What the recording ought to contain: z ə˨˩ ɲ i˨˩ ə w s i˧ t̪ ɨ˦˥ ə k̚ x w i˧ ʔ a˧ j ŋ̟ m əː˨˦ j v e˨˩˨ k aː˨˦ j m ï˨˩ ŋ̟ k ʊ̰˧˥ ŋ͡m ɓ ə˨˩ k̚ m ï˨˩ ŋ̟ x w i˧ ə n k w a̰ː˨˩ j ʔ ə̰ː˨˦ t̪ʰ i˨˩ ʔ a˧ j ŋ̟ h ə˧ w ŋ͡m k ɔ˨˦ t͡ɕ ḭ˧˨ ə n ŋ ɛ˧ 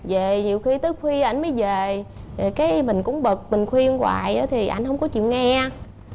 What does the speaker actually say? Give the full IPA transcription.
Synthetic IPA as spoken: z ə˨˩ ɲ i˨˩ ə w x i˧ t̪ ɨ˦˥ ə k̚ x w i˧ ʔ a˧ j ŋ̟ m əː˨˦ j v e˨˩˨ k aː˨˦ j m ï˨˩ ŋ̟ k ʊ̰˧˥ ŋ͡m ɓ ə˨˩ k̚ m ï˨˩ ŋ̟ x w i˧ ə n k w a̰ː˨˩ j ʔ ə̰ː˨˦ t̪ʰ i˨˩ ʔ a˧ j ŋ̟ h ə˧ w ŋ͡m k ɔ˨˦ t͡ɕ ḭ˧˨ ə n ŋ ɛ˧